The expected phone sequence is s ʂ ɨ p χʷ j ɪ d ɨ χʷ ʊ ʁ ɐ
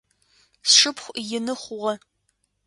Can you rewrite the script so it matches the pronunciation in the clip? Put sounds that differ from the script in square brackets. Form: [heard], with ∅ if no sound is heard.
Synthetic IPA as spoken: s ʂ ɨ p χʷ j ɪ [n] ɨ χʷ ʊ ʁ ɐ